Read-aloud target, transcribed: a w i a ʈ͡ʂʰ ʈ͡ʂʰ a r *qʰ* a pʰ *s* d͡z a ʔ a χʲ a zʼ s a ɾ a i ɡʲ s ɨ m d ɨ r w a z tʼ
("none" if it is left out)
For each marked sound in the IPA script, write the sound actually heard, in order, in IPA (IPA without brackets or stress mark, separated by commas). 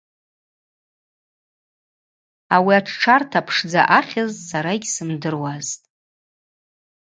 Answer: tʰ, ʂ